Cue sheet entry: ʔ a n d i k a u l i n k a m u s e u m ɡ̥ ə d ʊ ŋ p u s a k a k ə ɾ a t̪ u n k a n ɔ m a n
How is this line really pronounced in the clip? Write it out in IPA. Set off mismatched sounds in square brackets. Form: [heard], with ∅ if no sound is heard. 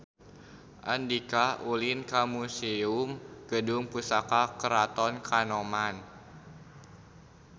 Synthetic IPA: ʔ a n d i k a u l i n k a m u s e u m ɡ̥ ə d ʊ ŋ p u s a k a k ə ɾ a t̪ [ɔ] n k a n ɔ m a n